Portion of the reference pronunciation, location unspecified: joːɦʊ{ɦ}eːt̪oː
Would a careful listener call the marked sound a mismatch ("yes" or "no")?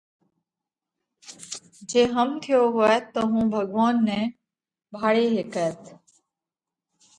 yes